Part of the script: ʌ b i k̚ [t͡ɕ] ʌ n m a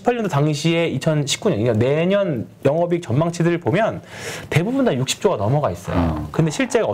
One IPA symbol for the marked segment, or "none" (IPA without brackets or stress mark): t͡ɕ